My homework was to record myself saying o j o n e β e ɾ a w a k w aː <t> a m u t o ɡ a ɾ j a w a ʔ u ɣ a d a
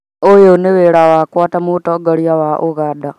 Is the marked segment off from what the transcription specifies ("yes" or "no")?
no